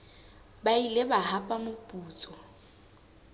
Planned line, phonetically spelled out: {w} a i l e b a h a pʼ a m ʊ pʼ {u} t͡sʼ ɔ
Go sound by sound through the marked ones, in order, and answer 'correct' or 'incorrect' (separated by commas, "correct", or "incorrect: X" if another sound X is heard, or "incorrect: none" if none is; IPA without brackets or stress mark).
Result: incorrect: b, incorrect: uː